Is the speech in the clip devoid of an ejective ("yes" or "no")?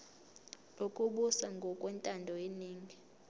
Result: no